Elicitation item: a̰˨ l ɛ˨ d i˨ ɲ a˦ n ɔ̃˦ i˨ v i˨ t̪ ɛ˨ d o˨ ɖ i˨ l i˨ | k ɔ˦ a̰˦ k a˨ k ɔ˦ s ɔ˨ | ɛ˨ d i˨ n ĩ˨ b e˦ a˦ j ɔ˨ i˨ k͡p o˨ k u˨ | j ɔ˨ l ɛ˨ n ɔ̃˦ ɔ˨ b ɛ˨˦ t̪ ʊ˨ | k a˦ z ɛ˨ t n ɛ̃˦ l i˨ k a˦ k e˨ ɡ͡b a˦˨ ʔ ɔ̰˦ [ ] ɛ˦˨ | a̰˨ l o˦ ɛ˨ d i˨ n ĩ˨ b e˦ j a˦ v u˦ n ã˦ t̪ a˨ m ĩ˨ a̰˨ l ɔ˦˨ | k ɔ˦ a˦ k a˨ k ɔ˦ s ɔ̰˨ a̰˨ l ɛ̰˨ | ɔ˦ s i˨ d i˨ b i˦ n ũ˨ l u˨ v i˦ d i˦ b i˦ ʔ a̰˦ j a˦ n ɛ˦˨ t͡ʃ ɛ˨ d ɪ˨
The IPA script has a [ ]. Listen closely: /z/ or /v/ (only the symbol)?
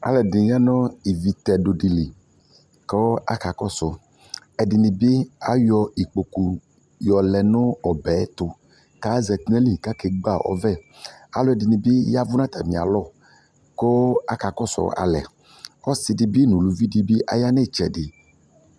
v